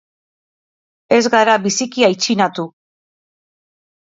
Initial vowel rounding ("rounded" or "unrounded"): unrounded